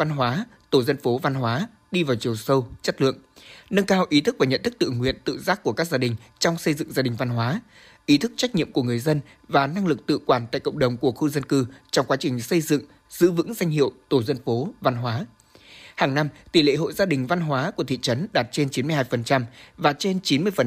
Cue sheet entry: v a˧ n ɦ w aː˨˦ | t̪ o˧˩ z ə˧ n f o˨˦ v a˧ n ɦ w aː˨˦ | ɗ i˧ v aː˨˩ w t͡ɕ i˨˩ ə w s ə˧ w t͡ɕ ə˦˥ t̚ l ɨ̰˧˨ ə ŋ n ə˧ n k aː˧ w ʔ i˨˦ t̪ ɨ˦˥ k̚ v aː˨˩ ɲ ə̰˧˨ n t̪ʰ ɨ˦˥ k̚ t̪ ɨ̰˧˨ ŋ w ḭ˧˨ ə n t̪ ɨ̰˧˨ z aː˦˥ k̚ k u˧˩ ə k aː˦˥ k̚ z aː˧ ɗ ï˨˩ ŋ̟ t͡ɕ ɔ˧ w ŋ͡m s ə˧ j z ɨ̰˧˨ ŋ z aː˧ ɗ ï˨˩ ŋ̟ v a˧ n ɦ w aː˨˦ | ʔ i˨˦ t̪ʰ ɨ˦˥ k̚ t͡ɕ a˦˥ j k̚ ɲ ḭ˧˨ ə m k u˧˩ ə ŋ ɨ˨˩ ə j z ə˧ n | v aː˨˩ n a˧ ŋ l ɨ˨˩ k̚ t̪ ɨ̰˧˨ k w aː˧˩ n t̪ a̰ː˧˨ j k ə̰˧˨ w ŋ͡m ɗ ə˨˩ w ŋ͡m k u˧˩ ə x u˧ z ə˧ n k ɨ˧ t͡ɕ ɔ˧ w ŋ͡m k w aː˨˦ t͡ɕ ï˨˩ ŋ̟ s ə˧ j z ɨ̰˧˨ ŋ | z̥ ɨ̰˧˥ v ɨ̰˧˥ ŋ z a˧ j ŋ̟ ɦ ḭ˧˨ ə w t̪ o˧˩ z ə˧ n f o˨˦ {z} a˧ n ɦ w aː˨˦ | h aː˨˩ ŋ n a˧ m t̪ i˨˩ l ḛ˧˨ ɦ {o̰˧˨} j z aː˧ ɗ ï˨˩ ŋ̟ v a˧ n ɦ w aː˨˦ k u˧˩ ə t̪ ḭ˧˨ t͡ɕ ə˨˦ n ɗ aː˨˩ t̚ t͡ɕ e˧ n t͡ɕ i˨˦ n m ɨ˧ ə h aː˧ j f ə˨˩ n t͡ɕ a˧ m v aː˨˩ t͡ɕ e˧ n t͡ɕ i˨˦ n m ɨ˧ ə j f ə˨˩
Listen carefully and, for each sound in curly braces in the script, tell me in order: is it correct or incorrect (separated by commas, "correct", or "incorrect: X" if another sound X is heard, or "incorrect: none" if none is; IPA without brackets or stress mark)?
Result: incorrect: v, correct